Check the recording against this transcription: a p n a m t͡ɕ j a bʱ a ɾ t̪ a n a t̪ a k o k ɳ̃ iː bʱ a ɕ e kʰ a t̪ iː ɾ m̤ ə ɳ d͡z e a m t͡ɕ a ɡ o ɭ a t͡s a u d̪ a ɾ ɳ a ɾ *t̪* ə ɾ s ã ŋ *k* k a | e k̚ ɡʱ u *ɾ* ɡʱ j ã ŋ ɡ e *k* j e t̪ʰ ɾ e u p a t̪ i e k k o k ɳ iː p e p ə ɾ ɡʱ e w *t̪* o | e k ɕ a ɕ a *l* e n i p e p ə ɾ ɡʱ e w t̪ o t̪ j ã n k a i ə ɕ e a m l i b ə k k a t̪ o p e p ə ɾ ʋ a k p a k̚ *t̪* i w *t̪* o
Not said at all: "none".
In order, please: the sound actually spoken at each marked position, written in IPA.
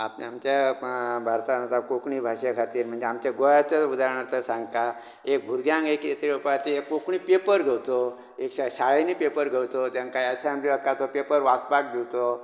t̪, ɡ, ɾ, k, t̪, ɭ, d̪, t̪

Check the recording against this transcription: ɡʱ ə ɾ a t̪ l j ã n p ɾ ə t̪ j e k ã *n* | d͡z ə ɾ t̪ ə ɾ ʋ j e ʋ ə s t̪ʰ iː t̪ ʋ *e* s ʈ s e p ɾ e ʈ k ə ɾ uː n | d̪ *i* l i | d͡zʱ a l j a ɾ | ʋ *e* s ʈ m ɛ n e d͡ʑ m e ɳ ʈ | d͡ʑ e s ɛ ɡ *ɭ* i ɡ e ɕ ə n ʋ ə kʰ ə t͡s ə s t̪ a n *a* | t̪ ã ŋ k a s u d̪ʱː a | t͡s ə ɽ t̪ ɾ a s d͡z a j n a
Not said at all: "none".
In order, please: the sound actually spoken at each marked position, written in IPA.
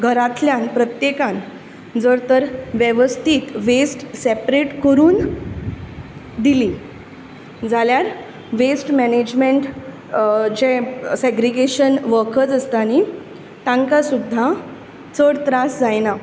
n, e, i, e, ɾ, i

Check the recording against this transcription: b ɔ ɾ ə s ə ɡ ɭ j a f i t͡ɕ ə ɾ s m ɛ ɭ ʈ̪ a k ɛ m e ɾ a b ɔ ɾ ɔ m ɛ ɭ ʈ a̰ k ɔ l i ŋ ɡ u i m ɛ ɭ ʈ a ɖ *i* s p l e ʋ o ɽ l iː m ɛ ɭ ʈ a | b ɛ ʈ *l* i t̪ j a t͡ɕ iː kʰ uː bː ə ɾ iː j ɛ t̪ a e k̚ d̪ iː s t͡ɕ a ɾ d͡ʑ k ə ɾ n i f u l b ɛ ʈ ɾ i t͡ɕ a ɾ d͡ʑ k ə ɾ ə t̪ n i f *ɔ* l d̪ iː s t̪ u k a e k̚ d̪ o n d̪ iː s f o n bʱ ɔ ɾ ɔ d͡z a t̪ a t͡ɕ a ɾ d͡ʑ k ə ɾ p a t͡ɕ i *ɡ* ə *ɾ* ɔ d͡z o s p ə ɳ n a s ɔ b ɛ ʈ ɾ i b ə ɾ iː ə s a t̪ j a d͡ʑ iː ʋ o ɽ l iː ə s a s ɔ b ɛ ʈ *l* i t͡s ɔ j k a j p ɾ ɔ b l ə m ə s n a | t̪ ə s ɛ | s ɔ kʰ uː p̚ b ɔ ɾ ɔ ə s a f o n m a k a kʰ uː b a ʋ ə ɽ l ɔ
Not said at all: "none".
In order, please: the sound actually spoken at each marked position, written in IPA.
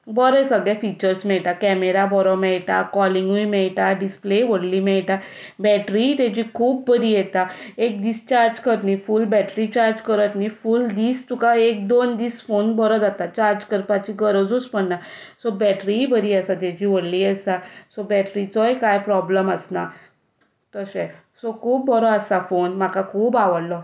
i, ɾ, u, ɡ, ɾ, ɾ

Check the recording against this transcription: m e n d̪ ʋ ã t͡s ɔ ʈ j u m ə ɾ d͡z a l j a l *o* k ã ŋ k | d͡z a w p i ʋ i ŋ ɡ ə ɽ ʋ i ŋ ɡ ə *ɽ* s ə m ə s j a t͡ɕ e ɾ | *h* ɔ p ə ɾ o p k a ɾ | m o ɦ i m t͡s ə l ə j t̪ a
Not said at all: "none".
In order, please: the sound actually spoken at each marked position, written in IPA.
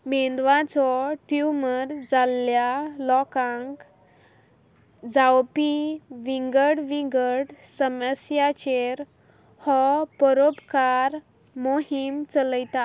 ɔ, ɽ, h

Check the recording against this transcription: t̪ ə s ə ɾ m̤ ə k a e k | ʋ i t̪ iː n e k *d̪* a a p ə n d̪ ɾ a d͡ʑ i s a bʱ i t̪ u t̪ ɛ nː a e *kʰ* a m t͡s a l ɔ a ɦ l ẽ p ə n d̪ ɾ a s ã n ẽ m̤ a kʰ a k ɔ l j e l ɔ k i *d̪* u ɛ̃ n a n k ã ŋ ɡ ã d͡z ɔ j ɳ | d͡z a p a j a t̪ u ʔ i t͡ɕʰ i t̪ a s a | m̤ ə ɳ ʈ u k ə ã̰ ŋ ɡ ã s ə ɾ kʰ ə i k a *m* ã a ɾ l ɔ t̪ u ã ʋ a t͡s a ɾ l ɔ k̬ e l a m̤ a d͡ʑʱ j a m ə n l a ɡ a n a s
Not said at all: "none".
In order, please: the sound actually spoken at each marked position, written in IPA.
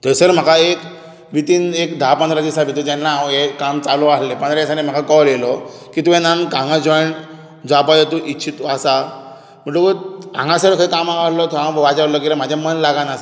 d̪, k, t̪, m

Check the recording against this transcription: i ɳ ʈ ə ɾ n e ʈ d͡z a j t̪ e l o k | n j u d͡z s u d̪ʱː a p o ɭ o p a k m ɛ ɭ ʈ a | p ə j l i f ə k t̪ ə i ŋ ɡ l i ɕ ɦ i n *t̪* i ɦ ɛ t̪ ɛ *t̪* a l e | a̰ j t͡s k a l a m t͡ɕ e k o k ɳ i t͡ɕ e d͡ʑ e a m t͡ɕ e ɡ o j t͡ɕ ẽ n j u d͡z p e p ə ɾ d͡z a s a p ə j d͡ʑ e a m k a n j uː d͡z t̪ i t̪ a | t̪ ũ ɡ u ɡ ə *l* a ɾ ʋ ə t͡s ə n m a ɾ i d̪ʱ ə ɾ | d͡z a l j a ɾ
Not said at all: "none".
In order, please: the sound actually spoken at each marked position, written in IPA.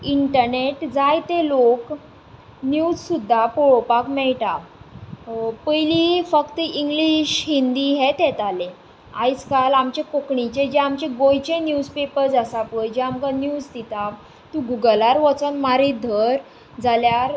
d̪, t̪, l

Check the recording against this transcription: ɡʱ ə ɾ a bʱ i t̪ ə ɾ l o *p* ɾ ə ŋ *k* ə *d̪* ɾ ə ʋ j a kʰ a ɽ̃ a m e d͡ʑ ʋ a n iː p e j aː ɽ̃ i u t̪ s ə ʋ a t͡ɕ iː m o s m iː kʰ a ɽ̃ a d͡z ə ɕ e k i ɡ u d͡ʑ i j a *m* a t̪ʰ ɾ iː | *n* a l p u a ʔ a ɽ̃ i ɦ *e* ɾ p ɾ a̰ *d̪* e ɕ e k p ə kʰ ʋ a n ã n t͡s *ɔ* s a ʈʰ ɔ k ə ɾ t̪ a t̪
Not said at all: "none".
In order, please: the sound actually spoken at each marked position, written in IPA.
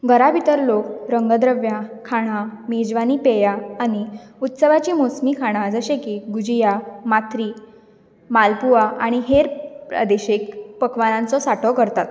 k, ɡ, d̪, m, m, e, d̪, ɔ

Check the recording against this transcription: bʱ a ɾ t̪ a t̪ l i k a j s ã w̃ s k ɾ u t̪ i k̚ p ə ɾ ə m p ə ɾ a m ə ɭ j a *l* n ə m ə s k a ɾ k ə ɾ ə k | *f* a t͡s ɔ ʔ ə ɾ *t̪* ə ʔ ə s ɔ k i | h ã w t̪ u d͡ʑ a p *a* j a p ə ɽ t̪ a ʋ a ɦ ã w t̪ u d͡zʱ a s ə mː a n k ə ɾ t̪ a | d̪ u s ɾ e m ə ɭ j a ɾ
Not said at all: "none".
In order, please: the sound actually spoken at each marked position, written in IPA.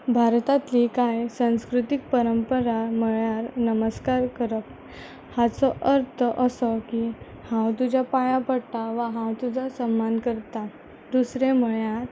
ɾ, h, t̪ʰ, a

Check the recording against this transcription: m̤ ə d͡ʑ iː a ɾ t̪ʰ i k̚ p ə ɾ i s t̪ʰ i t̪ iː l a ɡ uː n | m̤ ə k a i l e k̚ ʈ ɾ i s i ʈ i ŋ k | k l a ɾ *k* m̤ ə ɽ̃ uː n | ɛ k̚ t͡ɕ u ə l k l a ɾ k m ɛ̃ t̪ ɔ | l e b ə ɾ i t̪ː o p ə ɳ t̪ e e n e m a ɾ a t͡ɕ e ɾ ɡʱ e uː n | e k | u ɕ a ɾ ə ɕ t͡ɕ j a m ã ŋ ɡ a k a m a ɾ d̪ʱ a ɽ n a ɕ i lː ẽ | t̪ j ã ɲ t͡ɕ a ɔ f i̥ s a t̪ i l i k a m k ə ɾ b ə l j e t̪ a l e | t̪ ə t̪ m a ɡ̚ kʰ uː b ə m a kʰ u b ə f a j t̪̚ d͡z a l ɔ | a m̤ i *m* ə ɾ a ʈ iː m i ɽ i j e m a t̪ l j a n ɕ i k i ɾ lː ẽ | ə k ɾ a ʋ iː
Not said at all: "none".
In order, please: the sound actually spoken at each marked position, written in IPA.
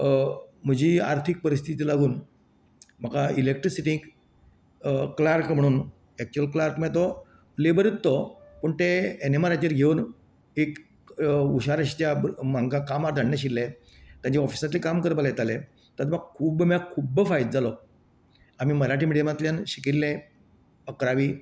k, m

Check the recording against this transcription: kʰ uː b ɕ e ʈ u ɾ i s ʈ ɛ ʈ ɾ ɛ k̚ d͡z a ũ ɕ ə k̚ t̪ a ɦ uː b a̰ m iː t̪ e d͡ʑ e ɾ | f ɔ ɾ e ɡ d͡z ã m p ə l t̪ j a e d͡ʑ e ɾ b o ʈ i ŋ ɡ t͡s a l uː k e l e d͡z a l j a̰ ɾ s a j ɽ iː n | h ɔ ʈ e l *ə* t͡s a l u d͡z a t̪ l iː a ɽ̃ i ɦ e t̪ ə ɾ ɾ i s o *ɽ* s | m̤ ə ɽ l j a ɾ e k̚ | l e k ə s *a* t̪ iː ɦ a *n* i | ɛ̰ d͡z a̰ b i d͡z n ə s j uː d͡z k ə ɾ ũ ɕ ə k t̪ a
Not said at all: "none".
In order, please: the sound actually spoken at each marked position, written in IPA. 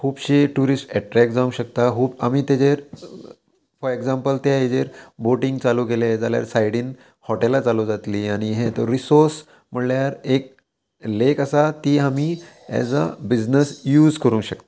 a, ɾ, a, m

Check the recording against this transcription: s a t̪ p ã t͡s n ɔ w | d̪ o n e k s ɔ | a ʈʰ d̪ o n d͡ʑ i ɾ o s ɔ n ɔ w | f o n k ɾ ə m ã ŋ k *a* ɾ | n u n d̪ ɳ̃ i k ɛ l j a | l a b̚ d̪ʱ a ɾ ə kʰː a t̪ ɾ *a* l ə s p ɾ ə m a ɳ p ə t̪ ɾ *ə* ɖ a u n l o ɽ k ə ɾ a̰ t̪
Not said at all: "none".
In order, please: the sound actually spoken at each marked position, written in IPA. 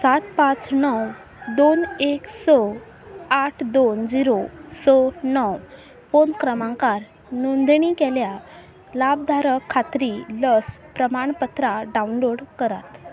a, i, a

